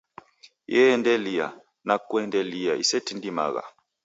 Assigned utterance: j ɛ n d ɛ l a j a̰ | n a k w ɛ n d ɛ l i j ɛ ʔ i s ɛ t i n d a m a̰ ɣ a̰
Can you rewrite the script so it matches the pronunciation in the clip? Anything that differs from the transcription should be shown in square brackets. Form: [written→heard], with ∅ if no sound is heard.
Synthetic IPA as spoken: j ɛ n d ɛ l [a→i] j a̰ | n a k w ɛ n d ɛ l i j [ɛ→a] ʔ i s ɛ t i n d [a→i] m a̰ ɣ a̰